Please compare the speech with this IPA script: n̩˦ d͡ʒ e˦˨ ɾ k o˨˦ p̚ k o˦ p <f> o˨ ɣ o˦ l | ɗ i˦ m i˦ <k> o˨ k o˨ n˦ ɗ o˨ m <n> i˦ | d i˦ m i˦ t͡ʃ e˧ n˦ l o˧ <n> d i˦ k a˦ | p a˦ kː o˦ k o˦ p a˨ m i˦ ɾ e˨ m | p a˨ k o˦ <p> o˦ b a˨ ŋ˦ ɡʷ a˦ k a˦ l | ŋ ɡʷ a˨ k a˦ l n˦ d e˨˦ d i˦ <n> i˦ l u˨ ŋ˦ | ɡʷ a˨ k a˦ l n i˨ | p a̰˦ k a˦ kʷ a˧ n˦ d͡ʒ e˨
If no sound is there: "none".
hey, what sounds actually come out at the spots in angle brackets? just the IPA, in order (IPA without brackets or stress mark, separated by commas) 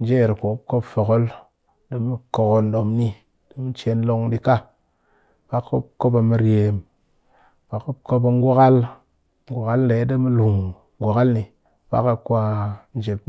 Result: f, k, n, ŋ, k, m